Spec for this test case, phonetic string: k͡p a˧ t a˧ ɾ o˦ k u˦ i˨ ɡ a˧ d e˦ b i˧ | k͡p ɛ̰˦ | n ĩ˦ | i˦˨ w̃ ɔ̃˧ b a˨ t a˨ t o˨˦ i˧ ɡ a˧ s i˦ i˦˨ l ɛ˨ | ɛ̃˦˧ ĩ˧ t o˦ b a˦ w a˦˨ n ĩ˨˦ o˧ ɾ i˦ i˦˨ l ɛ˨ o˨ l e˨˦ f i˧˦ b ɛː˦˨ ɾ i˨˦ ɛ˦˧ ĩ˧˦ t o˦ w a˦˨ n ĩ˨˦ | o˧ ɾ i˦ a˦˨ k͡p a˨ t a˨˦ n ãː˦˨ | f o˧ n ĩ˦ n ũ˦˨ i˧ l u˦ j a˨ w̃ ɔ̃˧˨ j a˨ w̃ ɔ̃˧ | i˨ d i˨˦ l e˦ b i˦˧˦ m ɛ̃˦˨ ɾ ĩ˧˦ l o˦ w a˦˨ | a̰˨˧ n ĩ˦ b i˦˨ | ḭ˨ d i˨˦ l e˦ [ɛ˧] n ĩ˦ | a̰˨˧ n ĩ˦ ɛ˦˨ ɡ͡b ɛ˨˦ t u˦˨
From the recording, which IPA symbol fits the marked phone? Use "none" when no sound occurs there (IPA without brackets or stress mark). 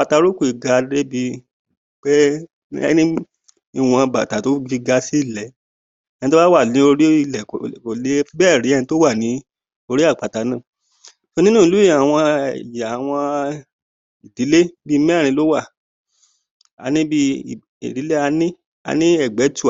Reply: a˧